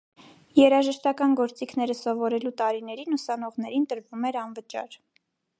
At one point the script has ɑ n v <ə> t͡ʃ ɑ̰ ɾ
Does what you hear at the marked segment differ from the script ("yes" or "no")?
no